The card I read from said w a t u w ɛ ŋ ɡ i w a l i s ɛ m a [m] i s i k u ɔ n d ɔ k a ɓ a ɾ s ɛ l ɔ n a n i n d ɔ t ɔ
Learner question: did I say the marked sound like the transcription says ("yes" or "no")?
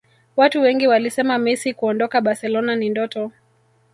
yes